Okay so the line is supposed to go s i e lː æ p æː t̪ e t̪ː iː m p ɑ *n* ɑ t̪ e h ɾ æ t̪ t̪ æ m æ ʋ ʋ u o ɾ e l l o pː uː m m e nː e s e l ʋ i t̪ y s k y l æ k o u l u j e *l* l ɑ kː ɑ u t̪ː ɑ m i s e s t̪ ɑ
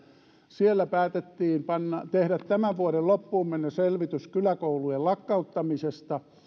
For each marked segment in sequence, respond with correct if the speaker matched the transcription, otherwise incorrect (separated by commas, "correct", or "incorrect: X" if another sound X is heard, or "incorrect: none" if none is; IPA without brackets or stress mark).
incorrect: nː, correct